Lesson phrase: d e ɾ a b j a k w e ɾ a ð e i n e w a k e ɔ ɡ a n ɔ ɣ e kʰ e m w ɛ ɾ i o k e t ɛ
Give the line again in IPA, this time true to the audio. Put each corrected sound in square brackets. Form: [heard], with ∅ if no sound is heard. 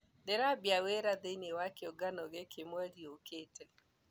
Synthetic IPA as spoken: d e ɾ a b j a [∅] w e ɾ a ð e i n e w a k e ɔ ɡ a n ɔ ɣ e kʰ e m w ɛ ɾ i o k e t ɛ